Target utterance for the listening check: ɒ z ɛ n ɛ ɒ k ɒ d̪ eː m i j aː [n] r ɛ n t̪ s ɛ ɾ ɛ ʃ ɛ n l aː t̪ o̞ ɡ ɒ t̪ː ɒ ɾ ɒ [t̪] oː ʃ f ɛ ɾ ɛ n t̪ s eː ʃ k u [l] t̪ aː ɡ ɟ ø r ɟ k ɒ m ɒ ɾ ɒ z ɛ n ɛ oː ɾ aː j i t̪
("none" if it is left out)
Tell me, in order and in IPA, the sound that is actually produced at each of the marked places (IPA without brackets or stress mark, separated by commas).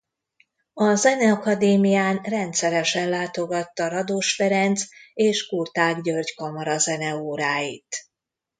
n, d̪, r